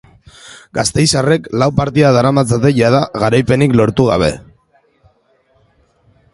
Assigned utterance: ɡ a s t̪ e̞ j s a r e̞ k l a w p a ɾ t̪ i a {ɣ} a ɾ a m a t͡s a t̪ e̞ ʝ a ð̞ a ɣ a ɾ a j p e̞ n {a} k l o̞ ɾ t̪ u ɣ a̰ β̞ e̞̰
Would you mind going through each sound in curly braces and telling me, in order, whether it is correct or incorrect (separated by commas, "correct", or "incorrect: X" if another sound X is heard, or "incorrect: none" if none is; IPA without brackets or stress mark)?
incorrect: ð, incorrect: i